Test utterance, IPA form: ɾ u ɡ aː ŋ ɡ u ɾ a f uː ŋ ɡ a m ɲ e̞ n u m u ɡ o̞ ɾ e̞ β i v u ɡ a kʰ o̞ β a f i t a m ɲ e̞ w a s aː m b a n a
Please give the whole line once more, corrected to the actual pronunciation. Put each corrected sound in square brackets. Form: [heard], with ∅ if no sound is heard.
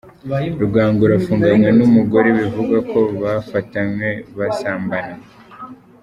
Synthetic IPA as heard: ɾ u ɡ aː ŋ ɡ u ɾ a f uː ŋ ɡ a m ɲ e̞ n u m u ɡ o̞ ɾ e̞ β i v u ɡ a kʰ o̞ β a f [a] t a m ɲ e̞ [β] a s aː m b a n a